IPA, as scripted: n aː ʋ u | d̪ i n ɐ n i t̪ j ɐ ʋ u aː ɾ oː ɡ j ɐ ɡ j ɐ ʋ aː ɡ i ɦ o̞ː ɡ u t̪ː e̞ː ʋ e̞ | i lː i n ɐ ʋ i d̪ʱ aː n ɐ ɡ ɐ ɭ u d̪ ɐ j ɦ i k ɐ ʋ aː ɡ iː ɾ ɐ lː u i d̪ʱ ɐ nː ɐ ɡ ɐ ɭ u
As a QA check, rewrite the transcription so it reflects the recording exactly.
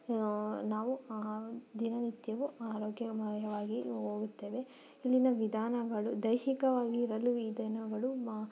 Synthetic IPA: n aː ʋ u | d̪ i n ɐ n i t̪ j ɐ ʋ u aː ɾ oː ɡ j ɐ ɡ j ɐ ʋ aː ɡ i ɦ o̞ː ɡ u t̪ː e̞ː ʋ e̞ | i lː i n ɐ ʋ i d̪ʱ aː n ɐ ɡ ɐ ɭ u d̪ ɐ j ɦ i k ɐ ʋ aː ɡ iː ɾ ɐ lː u i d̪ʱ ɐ n ɐ ɡ ɐ ɭ u